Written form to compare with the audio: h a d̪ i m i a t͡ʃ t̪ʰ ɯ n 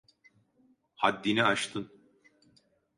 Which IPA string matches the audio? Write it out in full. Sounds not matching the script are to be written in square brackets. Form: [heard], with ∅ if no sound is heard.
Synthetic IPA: h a [d̪ː] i [n] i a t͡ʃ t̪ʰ ɯ n